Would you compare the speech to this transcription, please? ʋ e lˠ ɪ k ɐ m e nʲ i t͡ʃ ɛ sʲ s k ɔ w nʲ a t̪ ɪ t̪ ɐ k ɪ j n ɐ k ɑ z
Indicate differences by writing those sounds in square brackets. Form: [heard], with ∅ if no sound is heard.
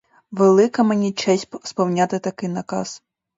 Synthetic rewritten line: ʋ e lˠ ɪ k ɐ m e nʲ i t͡ʃ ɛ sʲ s [p] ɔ w nʲ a t̪ ɪ t̪ ɐ k ɪ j n ɐ k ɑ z

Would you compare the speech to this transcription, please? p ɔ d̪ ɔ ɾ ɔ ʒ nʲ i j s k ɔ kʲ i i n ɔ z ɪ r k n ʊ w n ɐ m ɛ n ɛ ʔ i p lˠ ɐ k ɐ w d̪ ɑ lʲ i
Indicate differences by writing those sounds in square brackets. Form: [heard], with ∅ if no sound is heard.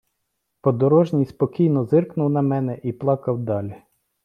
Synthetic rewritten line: p ɔ d̪ ɔ ɾ ɔ ʒ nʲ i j s [p] ɔ kʲ i [j] n ɔ z ɪ r k n ʊ w n ɐ m ɛ n ɛ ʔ i p lˠ [ɑ] k ɐ w d̪ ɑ lʲ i

